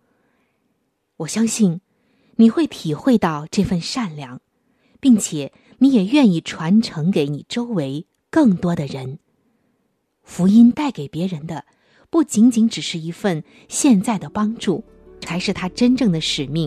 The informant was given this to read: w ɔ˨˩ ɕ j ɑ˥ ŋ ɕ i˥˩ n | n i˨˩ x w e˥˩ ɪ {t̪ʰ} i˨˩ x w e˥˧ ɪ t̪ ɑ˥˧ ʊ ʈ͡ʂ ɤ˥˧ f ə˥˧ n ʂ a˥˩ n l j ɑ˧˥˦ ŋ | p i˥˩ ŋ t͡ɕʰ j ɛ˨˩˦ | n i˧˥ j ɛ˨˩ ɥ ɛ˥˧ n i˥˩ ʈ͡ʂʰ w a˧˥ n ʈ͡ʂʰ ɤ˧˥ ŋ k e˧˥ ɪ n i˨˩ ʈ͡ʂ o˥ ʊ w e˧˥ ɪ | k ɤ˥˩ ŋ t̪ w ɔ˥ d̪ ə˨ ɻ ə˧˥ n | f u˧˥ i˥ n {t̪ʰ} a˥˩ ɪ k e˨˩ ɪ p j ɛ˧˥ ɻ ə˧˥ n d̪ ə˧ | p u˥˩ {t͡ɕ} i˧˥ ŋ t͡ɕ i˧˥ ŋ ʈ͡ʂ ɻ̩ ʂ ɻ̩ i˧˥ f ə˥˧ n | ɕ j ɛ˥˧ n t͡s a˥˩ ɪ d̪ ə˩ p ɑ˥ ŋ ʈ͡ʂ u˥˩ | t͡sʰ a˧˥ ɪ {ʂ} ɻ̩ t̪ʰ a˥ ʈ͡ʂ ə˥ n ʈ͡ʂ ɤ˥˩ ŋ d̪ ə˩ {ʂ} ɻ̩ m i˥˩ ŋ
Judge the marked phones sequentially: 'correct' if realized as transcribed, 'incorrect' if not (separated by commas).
correct, incorrect, correct, correct, correct